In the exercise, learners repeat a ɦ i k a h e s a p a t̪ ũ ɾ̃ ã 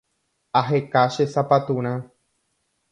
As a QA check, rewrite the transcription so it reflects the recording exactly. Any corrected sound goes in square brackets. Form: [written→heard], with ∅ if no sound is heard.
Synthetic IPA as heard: a ɦ [i→e] k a [h→ʃ] e s a p a t̪ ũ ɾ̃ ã